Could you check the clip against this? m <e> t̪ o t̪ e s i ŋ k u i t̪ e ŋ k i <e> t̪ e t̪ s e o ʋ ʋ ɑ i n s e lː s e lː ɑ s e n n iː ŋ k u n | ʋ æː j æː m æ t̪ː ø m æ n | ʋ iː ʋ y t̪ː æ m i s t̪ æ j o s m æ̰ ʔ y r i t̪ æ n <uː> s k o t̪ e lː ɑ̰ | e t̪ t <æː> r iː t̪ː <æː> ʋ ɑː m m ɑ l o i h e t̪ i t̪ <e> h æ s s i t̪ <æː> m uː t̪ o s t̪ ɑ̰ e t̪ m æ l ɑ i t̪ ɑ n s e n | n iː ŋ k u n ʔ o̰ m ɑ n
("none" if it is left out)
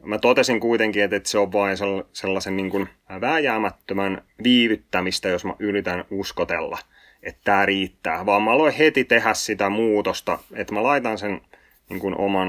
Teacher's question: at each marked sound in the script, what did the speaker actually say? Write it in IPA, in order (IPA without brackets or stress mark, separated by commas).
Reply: æ, e, u, æː, æː, e, æ